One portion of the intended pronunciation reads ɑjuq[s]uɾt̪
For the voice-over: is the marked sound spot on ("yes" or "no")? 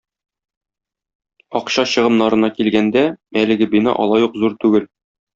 no